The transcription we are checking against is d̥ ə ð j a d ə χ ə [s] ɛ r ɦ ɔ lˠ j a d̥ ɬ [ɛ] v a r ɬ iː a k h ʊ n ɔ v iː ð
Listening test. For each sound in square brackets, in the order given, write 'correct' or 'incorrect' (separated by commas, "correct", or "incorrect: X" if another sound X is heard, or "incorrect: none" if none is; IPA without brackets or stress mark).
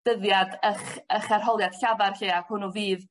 incorrect: χ, incorrect: a